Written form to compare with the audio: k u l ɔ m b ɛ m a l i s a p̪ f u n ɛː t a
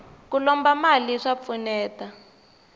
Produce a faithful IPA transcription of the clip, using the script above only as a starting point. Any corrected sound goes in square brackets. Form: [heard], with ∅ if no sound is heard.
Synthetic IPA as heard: k u l ɔ m b [a] m a l i [ʂ] a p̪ f u n ɛː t a